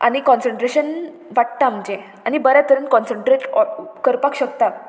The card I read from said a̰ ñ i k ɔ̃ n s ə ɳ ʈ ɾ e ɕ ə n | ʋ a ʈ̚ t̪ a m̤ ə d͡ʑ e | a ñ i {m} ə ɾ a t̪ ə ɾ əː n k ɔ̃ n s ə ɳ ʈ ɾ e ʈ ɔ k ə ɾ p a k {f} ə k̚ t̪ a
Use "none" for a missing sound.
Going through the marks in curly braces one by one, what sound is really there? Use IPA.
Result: b, ɕ

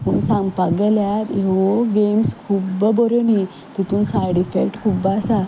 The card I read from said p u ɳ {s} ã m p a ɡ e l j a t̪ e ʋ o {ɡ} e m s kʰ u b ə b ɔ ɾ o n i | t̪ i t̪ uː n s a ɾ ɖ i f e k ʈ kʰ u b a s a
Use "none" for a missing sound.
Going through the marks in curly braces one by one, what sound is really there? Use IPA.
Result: s, ɡ

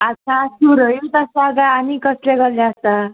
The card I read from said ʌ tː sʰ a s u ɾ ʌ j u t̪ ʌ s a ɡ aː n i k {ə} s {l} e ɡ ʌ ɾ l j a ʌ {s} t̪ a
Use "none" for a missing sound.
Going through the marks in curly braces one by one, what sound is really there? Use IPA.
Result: ʌ, l, s

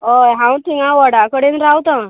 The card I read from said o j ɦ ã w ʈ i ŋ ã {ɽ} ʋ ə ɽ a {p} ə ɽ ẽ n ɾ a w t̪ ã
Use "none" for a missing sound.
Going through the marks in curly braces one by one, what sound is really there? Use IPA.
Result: none, k

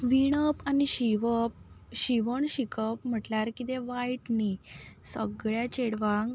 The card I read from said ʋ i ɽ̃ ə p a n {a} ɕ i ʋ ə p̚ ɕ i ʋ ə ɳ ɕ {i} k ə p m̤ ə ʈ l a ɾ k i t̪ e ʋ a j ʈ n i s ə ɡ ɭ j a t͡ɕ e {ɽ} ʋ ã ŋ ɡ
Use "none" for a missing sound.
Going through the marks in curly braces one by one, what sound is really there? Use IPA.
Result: i, i, ɽ

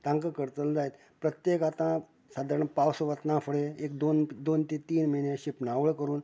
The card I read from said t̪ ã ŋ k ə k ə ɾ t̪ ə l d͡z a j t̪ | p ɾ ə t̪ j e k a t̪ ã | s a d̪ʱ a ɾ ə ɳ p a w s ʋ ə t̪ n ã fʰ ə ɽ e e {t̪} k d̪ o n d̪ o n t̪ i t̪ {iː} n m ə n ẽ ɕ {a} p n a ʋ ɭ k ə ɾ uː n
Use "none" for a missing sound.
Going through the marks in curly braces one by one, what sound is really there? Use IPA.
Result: none, iː, i

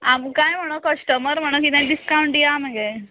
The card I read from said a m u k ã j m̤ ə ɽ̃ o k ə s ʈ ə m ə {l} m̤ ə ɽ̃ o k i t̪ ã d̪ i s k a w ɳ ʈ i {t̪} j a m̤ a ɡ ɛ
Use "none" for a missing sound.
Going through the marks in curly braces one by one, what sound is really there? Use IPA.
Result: ɾ, none

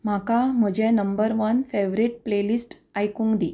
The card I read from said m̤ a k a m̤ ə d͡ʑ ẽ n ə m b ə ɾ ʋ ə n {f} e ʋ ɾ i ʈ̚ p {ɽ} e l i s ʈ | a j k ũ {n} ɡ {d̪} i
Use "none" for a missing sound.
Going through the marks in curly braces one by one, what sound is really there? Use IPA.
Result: f, l, ŋ, d̪

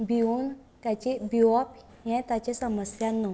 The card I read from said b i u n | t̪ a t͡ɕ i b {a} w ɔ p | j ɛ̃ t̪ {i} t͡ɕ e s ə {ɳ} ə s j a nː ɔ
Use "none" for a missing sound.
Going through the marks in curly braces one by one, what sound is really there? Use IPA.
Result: i, a, m

